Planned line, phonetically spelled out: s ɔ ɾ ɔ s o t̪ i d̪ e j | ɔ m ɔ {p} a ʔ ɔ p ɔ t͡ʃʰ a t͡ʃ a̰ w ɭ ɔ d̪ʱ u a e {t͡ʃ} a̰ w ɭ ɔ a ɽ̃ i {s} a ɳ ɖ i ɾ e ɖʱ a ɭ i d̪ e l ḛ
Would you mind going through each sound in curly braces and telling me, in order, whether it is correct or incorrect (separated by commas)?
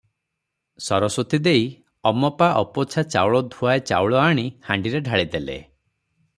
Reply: correct, correct, incorrect